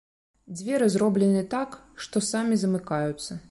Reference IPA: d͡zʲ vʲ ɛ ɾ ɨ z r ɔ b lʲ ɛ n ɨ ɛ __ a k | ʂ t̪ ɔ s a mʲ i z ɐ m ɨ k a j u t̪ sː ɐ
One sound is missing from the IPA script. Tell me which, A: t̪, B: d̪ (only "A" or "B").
A